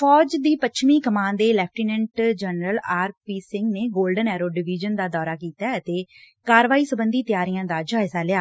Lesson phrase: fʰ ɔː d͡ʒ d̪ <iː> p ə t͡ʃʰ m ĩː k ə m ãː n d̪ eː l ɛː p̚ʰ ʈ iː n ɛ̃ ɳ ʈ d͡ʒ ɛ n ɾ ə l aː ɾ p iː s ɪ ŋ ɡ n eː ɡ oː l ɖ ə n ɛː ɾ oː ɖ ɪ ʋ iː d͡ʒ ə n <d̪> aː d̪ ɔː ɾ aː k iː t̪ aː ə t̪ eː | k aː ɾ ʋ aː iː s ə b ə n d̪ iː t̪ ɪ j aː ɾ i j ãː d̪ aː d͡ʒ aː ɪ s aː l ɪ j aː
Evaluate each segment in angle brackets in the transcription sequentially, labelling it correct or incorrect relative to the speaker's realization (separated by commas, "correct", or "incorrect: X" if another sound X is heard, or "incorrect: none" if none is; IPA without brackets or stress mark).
correct, correct